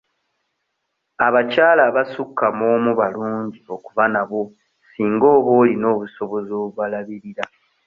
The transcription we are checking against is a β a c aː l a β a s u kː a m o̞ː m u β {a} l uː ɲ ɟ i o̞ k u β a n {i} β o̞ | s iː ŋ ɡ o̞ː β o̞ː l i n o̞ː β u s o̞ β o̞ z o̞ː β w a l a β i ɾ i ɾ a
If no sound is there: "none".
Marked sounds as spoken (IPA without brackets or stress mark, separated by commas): a, a